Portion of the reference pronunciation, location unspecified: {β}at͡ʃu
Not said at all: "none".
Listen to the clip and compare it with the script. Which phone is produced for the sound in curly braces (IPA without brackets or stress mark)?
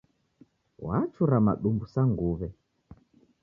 w